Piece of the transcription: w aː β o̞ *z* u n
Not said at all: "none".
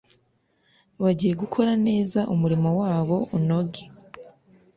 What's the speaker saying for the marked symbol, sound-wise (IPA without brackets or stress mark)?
none